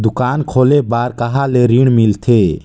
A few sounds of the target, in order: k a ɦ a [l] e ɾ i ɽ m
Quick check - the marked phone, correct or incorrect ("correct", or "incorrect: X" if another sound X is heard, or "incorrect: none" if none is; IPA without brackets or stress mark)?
correct